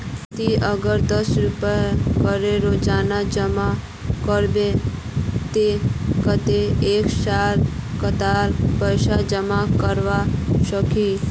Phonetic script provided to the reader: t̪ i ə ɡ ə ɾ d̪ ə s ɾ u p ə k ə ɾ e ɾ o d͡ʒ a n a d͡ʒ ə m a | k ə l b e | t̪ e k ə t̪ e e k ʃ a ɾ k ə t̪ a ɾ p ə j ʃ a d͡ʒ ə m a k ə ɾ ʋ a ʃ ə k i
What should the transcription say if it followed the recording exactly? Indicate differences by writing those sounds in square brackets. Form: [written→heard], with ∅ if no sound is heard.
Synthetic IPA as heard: t̪ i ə ɡ ə ɾ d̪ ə s ɾ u p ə k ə ɾ e ɾ o d͡ʒ a n a d͡ʒ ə m a | k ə [l→ɾ] b e | t̪ e k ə t̪ e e k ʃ a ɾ k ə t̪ a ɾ p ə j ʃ a d͡ʒ ə m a k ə ɾ ʋ a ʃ ə k i